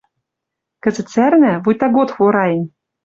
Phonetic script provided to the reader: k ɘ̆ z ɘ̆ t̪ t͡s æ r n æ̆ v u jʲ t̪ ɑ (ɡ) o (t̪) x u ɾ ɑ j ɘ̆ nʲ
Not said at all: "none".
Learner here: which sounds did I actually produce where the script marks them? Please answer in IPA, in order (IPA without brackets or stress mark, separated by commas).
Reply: ɡ, t̪